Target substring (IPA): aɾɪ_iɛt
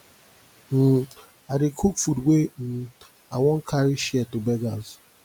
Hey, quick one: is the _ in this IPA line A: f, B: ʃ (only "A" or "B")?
B